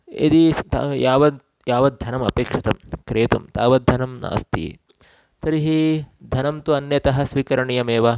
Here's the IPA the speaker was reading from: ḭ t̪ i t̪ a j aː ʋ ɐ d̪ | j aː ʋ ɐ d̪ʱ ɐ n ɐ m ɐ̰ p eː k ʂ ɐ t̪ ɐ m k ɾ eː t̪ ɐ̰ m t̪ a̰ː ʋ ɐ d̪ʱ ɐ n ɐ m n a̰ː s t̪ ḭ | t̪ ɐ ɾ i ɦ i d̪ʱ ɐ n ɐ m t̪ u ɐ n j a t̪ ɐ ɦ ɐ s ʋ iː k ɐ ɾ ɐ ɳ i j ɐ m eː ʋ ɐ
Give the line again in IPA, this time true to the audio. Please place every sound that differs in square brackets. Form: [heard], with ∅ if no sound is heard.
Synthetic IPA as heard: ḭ [d̪] i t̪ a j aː ʋ ɐ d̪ | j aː ʋ ɐ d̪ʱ ɐ n ɐ m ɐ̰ p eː k ʂ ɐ t̪ ɐ m k ɾ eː t̪ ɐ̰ m t̪ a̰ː ʋ ɐ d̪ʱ ɐ n ɐ m n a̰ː s t̪ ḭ | t̪ ɐ ɾ i ɦ i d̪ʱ ɐ n ɐ m t̪ u ɐ n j [ɐ] t̪ ɐ ɦ ɐ s ʋ iː k ɐ ɾ ɐ ɳ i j ɐ m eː ʋ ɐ

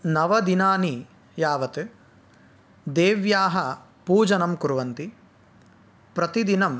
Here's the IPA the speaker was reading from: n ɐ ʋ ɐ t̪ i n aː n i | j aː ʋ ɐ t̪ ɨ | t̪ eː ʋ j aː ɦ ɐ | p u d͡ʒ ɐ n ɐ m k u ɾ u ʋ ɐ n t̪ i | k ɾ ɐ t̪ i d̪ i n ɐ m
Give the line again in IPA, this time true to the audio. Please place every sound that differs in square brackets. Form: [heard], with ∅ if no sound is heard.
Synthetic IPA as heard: n ɐ ʋ ɐ [d̪] i n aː n i | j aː ʋ ɐ t̪ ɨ | [d̪] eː ʋ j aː ɦ ɐ | p [uː] d͡ʒ ɐ n ɐ m k u ɾ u ʋ ɐ n t̪ i | [p] ɾ ɐ t̪ i d̪ i n ɐ m

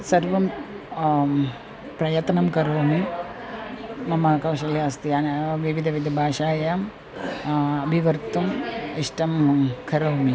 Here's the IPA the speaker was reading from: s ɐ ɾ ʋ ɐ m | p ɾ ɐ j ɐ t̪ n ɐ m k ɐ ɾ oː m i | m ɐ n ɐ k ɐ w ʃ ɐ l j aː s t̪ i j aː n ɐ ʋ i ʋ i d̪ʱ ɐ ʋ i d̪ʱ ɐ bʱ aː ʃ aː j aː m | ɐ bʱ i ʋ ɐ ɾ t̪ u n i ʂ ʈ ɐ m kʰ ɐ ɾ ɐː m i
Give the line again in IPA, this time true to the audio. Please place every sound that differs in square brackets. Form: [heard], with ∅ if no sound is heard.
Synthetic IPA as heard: s ɐ ɾ ʋ ɐ m | p ɾ ɐ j ɐ t̪ n ɐ m k ɐ ɾ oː m i | m ɐ [m] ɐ k ɐ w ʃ ɐ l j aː s t̪ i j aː n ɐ ʋ i ʋ i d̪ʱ ɐ ʋ i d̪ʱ ɐ bʱ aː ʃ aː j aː m | ɐ bʱ i ʋ ɐ ɾ t̪ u [m] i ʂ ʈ ɐ m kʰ ɐ ɾ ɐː m i

